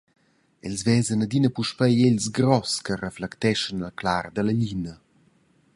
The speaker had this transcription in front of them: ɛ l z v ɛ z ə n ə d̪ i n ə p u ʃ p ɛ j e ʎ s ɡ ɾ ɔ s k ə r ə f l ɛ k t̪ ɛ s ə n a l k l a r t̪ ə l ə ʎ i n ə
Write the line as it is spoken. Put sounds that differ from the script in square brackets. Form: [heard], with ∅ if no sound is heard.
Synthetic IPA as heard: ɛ l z v ɛ z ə n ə d̪ i n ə p u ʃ p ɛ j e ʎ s ɡ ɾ ɔ s k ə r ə f l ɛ k t̪ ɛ [ʃ] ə n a l k l a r [d̪] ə l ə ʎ i n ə